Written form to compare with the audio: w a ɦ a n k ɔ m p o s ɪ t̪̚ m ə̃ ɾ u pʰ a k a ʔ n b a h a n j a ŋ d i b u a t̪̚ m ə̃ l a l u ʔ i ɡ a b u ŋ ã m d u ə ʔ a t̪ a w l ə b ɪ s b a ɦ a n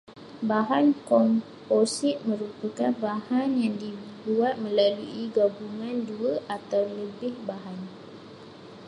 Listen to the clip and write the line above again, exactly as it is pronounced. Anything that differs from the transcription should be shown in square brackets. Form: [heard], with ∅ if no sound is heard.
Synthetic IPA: [b] a ɦ a n k ɔ m p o s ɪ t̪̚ m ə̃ ɾ u [p] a k a [∅] n b a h a n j a ŋ d i b u a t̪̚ m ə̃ l a l u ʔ i ɡ a b u ŋ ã [n] d u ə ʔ a t̪ a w l ə b ɪ [h] b a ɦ a n